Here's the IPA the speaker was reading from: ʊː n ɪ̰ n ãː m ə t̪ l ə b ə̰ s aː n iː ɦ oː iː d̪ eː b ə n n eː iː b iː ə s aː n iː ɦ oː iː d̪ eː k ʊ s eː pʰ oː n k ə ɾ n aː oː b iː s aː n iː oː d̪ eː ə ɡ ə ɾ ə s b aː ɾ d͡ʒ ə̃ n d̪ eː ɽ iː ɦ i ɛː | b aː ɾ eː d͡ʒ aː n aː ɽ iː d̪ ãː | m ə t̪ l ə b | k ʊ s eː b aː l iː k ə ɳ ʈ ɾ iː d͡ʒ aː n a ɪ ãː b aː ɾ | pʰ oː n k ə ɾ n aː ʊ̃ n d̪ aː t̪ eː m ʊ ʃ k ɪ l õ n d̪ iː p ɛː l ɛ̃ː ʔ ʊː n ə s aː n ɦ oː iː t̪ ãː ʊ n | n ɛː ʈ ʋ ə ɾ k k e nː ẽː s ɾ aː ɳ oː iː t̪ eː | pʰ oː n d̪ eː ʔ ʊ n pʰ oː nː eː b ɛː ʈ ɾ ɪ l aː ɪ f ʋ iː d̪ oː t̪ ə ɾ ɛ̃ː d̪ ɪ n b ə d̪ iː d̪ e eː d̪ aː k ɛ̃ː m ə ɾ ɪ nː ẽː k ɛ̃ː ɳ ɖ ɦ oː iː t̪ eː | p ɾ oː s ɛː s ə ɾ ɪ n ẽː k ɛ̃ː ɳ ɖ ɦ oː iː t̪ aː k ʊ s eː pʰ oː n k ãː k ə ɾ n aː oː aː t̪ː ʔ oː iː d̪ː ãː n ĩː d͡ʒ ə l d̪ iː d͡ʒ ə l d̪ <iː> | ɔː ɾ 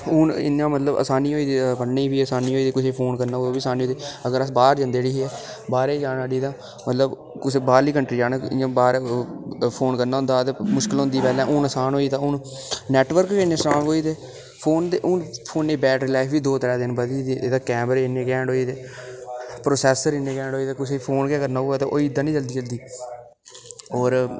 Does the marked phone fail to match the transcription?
no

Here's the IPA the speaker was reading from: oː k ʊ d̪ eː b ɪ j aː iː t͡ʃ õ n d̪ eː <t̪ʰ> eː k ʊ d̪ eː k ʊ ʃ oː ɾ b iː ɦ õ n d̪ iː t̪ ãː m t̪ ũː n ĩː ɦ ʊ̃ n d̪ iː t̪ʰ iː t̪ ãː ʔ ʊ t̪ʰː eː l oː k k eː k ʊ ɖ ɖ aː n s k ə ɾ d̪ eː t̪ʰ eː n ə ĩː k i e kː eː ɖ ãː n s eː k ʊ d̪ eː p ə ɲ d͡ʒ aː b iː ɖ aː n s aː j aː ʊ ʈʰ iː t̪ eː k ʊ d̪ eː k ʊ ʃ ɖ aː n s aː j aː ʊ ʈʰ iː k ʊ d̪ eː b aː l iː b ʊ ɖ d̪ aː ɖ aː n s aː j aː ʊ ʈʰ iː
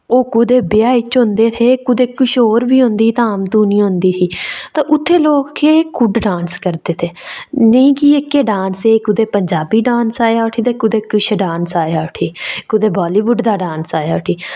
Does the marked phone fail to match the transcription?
no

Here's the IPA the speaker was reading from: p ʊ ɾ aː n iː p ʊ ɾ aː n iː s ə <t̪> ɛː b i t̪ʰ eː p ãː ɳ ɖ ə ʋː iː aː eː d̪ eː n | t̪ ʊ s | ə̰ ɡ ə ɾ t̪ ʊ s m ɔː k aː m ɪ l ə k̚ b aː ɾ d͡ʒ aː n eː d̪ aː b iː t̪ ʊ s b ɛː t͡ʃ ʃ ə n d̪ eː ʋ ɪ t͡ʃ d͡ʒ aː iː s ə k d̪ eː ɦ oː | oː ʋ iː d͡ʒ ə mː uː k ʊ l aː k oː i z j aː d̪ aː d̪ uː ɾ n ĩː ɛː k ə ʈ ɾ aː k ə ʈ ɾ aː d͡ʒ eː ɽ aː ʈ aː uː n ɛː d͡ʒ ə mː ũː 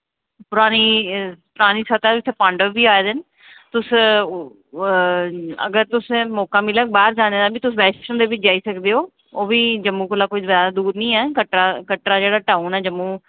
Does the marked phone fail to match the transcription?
no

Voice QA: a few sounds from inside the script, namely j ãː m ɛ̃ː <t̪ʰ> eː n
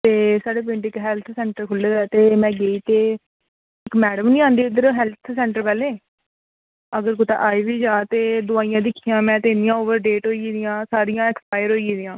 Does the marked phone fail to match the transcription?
yes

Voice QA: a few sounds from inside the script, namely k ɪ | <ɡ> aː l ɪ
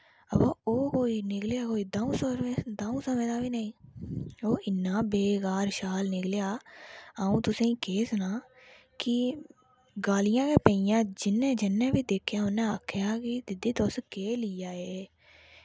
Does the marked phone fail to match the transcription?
no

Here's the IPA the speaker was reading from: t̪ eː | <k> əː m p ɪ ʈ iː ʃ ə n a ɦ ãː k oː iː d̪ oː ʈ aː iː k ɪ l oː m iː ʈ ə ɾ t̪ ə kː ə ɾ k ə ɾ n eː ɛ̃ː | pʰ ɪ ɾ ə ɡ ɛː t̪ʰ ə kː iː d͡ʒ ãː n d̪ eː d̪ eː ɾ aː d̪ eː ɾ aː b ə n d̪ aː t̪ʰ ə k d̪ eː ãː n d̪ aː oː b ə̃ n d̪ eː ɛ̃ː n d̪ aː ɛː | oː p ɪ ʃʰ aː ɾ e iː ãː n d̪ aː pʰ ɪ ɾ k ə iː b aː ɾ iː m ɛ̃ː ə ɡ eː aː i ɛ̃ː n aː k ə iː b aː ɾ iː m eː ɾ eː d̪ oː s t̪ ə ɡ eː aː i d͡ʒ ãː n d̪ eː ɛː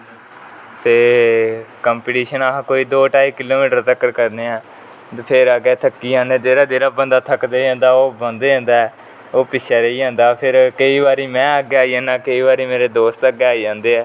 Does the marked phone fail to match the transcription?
no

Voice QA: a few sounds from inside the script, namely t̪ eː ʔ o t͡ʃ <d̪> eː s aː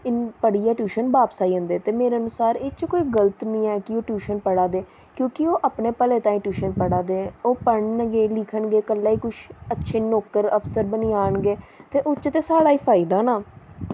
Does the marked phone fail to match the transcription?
yes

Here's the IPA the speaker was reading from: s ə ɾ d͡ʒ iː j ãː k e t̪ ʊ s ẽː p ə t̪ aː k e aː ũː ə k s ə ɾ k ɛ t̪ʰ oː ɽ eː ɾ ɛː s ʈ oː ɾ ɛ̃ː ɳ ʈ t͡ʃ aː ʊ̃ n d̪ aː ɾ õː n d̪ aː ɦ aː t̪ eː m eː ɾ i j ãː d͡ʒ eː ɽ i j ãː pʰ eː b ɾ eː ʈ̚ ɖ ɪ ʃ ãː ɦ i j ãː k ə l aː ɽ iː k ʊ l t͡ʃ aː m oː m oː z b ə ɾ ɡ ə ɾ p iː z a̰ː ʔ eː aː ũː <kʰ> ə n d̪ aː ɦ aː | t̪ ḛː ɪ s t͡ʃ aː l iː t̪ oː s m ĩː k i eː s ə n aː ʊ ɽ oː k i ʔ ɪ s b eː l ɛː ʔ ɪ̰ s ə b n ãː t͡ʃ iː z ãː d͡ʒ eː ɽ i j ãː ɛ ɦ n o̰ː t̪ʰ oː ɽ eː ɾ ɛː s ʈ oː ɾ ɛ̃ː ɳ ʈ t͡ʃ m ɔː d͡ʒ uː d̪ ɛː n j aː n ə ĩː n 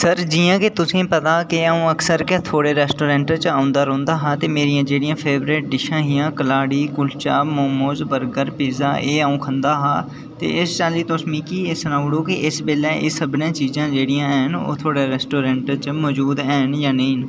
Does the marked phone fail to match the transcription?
no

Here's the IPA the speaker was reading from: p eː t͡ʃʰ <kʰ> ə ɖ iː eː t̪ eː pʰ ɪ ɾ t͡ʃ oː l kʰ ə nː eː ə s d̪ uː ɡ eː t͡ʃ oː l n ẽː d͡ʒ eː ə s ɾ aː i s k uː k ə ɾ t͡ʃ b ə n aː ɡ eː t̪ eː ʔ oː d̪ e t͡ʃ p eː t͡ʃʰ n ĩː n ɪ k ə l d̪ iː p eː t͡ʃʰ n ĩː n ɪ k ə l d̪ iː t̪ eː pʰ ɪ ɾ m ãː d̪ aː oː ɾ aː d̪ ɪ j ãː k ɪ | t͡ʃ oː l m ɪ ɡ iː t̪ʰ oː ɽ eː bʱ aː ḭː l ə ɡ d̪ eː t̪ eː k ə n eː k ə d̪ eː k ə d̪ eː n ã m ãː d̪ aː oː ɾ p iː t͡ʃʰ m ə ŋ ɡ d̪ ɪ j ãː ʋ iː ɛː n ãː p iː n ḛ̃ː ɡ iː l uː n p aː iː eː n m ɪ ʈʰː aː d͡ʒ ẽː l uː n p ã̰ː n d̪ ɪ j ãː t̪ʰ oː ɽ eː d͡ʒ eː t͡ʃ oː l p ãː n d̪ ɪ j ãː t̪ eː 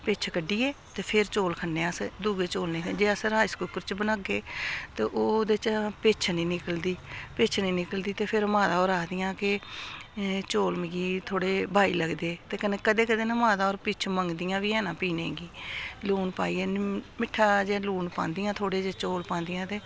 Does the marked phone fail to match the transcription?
yes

